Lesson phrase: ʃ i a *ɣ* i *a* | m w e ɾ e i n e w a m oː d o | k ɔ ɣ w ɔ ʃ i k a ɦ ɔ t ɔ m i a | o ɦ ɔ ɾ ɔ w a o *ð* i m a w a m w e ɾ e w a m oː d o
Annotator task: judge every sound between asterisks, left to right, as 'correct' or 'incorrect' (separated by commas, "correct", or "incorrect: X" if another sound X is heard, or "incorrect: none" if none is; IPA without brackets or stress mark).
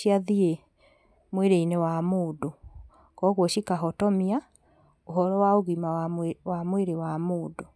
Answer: incorrect: ð, incorrect: e, incorrect: ɣ